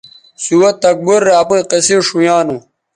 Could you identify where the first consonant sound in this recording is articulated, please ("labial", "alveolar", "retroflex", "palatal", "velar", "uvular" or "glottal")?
alveolar